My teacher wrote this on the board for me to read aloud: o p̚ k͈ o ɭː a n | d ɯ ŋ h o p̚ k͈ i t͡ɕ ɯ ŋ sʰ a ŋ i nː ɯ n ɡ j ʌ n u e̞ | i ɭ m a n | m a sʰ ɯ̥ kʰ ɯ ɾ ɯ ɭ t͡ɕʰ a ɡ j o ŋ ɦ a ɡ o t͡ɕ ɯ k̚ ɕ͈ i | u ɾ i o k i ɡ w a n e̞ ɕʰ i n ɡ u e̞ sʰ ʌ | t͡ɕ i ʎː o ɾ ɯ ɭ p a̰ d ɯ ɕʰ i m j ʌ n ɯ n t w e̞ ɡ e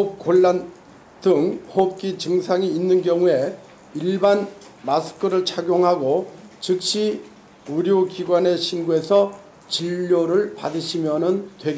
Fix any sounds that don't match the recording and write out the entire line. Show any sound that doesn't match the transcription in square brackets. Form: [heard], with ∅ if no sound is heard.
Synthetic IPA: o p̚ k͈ o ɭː a n | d ɯ ŋ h o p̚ k͈ i t͡ɕ ɯ ŋ sʰ a ŋ [iː] nː ɯ n ɡ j ʌ [ŋ] u e̞ | i ɭ [b] a n | m a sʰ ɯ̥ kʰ ɯ ɾ ɯ ɭ t͡ɕʰ a ɡ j o ŋ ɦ a ɡ o t͡ɕ ɯ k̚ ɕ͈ i | u ɾ [j] o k i ɡ w a n e̞ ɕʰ i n ɡ u e̞ sʰ ʌ | t͡ɕ i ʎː o ɾ ɯ ɭ p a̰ d ɯ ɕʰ i m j ʌ n ɯ n t w e̞ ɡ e